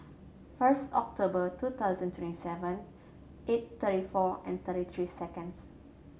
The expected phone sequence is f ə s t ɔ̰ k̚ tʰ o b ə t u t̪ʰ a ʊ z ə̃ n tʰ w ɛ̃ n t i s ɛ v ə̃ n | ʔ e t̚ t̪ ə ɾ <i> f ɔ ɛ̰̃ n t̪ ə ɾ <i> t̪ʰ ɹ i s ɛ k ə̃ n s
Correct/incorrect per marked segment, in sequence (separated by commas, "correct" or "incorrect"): correct, correct